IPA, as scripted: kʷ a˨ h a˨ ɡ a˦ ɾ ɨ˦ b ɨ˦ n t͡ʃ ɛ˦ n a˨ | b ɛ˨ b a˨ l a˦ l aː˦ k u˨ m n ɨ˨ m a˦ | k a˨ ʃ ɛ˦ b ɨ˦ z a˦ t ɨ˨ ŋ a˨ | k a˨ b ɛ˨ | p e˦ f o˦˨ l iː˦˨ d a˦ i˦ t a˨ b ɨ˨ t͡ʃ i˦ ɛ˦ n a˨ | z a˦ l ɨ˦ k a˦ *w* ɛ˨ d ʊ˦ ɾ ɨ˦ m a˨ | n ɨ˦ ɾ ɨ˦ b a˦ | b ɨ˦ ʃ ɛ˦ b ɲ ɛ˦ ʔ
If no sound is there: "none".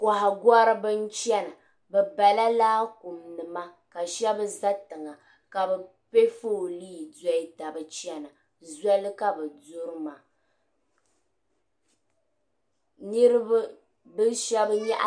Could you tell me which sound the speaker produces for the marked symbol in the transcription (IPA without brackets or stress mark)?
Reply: b